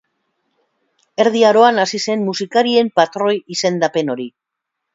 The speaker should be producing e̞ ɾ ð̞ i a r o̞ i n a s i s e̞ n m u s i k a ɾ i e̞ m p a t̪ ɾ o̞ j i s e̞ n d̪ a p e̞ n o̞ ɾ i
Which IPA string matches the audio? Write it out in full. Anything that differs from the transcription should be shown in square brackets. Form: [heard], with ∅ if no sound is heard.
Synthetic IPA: e̞ ɾ ð̞ i a [ɾ] o̞ [a] n a s i s e̞ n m u s i k a ɾ i e̞ m p a t̪ ɾ o̞ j i s e̞ n d̪ a p e̞ n o̞ ɾ i